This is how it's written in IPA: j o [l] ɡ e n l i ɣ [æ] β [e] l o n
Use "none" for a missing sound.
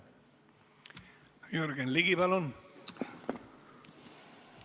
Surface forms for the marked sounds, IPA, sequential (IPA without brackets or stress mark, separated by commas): ɾ, i, a